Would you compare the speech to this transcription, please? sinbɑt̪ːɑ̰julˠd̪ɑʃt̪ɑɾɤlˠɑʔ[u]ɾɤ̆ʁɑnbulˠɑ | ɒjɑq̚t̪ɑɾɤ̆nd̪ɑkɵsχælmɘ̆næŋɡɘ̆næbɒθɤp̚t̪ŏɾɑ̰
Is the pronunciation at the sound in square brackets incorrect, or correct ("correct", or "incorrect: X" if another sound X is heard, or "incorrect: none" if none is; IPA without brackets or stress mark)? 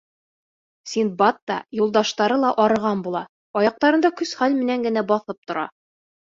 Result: incorrect: ɒ